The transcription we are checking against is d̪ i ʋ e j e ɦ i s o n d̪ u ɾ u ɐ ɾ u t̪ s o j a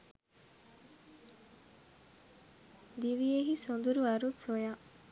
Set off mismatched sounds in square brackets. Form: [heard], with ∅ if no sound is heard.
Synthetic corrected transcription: d̪ i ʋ [i] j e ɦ i s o n d̪ u ɾ u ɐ ɾ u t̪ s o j a